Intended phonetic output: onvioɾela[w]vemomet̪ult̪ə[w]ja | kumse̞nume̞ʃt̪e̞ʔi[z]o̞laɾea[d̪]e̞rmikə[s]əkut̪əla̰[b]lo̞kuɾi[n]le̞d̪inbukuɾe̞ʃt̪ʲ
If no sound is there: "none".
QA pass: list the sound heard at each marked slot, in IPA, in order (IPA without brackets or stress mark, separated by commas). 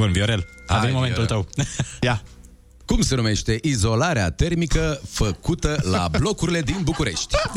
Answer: none, w, z, t̪, f, b, none